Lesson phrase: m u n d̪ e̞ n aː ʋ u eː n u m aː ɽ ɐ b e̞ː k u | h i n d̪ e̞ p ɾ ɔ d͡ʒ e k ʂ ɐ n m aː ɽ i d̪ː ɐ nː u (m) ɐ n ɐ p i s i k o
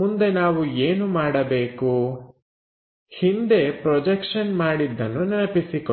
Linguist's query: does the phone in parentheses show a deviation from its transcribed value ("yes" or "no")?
yes